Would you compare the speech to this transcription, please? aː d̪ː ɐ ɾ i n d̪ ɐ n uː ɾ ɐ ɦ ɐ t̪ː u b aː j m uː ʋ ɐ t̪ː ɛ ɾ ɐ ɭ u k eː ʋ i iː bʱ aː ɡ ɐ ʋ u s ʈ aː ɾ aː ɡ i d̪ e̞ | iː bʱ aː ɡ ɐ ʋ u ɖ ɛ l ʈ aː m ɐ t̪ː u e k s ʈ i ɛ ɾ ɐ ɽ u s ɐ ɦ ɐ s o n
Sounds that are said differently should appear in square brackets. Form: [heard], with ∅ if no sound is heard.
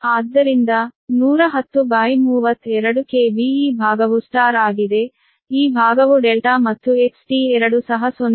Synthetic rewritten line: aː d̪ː ɐ ɾ i n d̪ ɐ n uː ɾ ɐ ɦ ɐ t̪ː u b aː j m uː ʋ ɐ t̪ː ɛ ɾ ɐ [ɽ] u k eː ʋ i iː bʱ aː ɡ ɐ ʋ u s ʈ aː ɾ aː ɡ i d̪ e̞ | iː bʱ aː ɡ ɐ ʋ u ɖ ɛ l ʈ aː m ɐ t̪ː u e k s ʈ i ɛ ɾ ɐ ɽ u s ɐ ɦ ɐ s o n